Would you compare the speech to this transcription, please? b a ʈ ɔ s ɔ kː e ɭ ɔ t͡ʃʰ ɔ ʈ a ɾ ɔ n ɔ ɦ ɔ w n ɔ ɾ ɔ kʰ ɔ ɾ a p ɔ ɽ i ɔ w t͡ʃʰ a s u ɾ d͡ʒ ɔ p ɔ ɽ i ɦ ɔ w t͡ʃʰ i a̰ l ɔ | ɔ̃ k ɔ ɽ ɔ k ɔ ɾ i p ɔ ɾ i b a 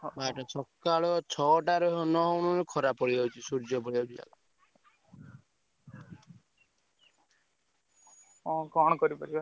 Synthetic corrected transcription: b a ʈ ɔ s ɔ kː a ɭ ɔ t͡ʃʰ ɔ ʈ a ɾ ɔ n ɔ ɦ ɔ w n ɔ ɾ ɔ kʰ ɔ ɾ a p ɔ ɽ i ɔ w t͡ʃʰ i s u ɾ d͡ʒ ɔ p ɔ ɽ i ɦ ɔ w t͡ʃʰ i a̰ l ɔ | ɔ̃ k ɔ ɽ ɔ k ɔ ɾ i p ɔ ɾ i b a

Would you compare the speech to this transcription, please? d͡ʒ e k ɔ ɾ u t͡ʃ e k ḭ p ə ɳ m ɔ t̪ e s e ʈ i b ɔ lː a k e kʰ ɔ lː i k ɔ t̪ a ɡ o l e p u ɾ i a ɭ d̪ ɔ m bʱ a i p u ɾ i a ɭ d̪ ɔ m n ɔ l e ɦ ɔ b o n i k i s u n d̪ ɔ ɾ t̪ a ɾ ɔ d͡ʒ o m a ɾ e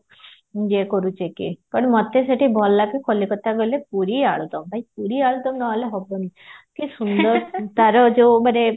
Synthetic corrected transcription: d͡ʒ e k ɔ ɾ u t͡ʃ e k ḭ p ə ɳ m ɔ t̪ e s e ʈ i b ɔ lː a k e kʰ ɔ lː i k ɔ t̪ a ɡ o l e p u ɾ i a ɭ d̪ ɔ m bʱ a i p u ɾ i a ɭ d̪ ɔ m n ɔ l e ɦ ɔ b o n i k i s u n d̪ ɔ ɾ t̪ a ɾ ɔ d͡ʒ o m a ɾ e

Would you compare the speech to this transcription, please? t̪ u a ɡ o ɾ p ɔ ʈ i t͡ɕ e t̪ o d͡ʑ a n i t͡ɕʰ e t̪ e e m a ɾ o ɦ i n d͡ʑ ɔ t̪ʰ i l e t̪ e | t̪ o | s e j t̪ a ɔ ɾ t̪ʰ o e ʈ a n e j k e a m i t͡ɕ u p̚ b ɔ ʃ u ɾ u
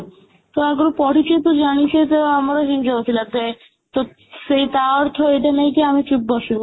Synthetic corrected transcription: t̪ o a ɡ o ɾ p ɔ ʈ i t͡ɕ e t̪ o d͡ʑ a n i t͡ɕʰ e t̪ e a m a ɾ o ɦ i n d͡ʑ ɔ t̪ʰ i l a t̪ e | t̪ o | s e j t̪ a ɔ ɾ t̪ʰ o e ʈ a n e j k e a m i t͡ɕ u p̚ b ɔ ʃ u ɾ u

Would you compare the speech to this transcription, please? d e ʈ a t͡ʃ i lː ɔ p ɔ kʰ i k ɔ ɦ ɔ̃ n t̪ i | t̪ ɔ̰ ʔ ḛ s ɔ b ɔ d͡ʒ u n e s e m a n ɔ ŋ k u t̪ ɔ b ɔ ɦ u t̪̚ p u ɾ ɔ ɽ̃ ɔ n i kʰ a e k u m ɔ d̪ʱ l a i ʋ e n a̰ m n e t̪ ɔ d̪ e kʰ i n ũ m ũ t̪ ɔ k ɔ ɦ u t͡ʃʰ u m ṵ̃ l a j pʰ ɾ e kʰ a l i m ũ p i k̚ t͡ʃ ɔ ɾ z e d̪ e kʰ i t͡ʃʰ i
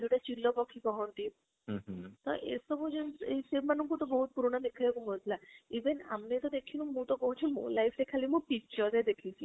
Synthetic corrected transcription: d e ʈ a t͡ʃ i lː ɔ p ɔ kʰ i k ɔ ɦ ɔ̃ n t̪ i | t̪ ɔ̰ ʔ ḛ s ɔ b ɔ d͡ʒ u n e s e m a n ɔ ŋ k u t̪ ɔ b ɔ ɦ u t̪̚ p u ɾ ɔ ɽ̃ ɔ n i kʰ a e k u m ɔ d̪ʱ l a i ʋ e n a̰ m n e t̪ ɔ d̪ e kʰ i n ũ m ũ t̪ ɔ k ɔ ɦ u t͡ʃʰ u m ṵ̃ l a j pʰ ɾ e kʰ a l i m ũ p i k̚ t͡ʃ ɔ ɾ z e d̪ e kʰ i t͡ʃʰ i

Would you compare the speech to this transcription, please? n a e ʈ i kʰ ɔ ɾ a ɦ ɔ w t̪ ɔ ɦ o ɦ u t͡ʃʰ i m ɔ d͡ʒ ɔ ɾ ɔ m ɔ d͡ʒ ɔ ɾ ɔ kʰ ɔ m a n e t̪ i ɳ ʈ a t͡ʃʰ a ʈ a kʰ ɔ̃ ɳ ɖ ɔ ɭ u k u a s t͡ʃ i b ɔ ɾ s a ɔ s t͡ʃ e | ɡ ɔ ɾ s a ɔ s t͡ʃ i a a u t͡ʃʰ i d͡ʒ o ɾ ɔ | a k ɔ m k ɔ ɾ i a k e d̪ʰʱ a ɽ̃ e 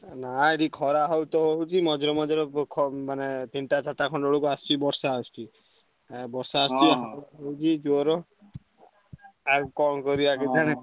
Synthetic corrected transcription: n a e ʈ i kʰ ɔ ɾ a ɦ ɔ w t̪ ɔ ɦ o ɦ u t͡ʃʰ i m ɔ d͡ʒ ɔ ɾ ɔ m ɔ d͡ʒ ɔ ɾ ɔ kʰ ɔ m a n e t̪ i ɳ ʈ a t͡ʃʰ a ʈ a kʰ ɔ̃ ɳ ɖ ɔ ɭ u k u a s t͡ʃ i b ɔ ɾ s a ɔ s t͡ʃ i | b ɔ ɾ s a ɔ s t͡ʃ i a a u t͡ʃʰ i d͡ʒ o ɾ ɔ | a k ɔ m k ɔ ɾ i a k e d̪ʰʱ a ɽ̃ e

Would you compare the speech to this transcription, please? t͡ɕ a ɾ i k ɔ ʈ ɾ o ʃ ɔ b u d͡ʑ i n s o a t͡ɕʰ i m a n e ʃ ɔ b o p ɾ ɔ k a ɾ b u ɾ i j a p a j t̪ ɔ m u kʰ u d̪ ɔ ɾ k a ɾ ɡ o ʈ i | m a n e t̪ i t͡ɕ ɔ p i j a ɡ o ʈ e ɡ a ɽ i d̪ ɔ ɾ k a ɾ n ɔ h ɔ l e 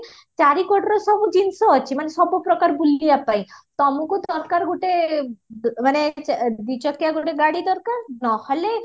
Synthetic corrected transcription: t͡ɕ a ɾ i k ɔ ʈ ɾ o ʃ ɔ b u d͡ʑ i n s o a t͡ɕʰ i m a n e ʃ ɔ b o p ɾ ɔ k a ɾ b u l i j a p a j t̪ ɔ m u k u d̪ ɔ ɾ k a ɾ ɡ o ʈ e | m a n e d̪ i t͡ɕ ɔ k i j a ɡ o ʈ e ɡ a ɽ i d̪ ɔ ɾ k a ɾ n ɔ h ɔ l e

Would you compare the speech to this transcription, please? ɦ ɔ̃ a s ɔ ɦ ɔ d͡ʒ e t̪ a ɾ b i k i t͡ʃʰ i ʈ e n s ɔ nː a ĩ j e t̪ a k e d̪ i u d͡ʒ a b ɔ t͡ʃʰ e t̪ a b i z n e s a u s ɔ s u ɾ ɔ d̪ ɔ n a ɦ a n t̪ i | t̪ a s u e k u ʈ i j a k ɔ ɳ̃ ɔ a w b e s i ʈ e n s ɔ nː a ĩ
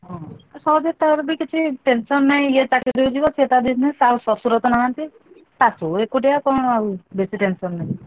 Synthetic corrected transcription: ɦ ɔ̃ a s ɔ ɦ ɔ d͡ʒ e t̪ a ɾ b i k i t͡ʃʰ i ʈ e n s ɔ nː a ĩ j e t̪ a k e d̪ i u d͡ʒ i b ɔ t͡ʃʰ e t̪ a b i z n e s a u s ɔ s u ɾ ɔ t̪ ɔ n a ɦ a n t̪ i | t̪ a s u e k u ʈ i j a k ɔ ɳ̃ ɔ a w b e s i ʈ e n s ɔ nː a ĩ

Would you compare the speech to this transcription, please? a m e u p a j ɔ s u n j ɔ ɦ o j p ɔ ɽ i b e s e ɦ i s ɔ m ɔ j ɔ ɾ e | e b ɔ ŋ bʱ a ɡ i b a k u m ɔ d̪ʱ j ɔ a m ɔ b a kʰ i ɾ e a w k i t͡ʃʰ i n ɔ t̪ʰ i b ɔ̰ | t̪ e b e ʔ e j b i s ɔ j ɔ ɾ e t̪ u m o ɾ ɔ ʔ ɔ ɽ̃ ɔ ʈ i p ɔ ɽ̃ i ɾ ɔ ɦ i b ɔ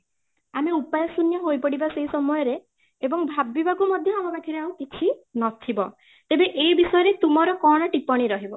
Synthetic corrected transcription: a m e u p a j ɔ s u n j ɔ ɦ o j p ɔ ɽ i b a s e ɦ i s ɔ m ɔ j ɔ ɾ e | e b ɔ ŋ bʱ a b i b a k u m ɔ d̪ʱ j ɔ a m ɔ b a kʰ i ɾ e a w k i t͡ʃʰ i n ɔ t̪ʰ i b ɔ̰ | t̪ e b e ʔ e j b i s ɔ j ɔ ɾ e t̪ u m ɔ ɾ ɔ k ɔ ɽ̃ ɔ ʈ i p ɔ ɽ̃ i ɾ ɔ ɦ i b ɔ

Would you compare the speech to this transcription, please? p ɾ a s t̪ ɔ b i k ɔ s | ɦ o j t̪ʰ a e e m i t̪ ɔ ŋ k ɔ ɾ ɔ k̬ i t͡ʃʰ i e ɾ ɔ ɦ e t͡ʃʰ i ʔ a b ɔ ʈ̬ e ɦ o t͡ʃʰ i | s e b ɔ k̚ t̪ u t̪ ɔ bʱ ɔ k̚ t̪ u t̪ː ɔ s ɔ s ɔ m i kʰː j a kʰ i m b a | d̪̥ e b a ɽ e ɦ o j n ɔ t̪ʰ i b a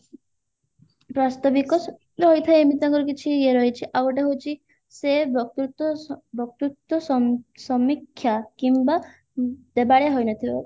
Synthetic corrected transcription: p ɾ a s t̪ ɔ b i k ɔ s | ɦ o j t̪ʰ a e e m i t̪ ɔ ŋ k ɔ ɾ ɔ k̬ i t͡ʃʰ i e ɾ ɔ ɦ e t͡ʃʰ i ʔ a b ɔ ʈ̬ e ɦ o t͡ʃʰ i | s e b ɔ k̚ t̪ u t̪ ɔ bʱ ɔ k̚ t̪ u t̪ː ɔ s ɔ s ɔ m i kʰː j a k i m b a | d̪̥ e b a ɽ e ɦ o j n ɔ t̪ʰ i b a

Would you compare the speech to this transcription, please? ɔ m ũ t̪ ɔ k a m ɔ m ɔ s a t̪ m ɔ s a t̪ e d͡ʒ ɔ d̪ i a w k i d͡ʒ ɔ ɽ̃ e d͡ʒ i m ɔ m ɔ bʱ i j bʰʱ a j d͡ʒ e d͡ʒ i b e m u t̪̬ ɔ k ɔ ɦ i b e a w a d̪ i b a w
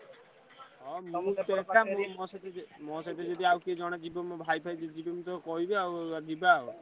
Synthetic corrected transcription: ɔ m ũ t̪ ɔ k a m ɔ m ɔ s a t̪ m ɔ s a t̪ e d͡ʒ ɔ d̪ i a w k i d͡ʒ ɔ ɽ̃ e d͡ʒ i b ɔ m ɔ bʱ a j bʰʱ a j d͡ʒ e d͡ʒ i b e m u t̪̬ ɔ k ɔ ɦ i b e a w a d̪ i b a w

